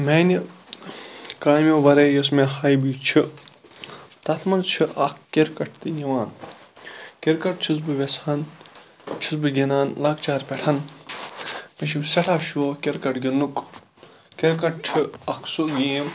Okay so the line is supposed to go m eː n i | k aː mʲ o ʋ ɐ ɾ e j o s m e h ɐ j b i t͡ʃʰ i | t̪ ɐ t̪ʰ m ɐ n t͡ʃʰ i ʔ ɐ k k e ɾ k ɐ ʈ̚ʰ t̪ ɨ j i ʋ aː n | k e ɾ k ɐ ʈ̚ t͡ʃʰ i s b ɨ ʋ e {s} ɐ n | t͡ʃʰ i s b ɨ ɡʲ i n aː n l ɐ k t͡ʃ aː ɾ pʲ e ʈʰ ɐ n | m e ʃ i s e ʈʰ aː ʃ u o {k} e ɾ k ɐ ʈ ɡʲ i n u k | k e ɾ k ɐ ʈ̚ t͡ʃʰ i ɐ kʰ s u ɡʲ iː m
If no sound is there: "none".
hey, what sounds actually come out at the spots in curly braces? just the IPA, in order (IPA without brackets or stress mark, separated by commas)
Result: s, k